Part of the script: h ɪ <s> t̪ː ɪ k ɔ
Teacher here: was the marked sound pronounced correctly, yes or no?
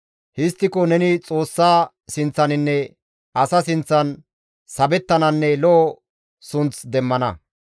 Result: yes